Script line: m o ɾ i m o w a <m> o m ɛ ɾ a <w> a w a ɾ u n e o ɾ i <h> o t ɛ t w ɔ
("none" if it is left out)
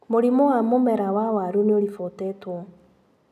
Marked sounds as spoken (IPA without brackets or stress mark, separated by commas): m, w, f